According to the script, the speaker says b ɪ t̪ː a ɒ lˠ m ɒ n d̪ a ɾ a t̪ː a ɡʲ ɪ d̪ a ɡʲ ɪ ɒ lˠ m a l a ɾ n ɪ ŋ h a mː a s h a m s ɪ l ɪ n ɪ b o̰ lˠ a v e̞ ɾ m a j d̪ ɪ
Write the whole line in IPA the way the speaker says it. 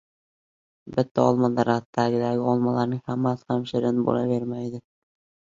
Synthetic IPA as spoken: b ɪ t̪ː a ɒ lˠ m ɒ n d̪ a ɾ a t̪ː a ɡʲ ɪ d̪ a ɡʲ ɪ ɒ lˠ m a l a ɾ n ɪ ŋ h a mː a s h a m ʃ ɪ ɾ ɪ n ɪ b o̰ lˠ a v e̞ ɾ m a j d̪ ɪ